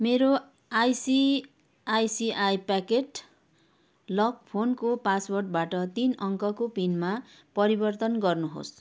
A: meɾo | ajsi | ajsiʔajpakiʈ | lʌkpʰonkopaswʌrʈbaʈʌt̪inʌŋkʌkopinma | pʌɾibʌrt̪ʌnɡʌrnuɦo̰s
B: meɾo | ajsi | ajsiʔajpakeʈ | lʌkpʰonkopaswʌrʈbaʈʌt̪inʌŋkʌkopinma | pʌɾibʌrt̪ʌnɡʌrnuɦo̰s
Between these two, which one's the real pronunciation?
B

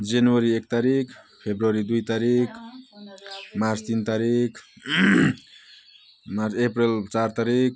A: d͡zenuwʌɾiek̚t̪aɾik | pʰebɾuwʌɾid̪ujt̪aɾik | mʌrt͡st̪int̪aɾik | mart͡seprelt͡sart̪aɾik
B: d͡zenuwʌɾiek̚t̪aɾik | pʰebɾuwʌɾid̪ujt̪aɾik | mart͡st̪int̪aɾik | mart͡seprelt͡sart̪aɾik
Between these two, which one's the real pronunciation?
B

